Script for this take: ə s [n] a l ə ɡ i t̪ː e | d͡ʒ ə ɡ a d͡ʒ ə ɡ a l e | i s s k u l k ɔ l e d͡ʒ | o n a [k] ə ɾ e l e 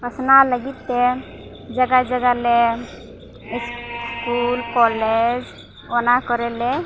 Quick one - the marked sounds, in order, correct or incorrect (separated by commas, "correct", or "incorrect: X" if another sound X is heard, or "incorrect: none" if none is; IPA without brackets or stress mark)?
correct, correct